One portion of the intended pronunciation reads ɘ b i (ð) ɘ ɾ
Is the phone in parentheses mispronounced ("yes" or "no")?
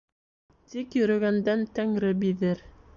no